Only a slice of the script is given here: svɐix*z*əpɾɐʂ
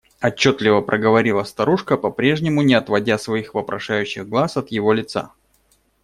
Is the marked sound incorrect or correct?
incorrect